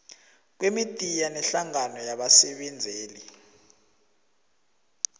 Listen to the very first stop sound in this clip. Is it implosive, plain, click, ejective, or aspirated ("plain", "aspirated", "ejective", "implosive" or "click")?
plain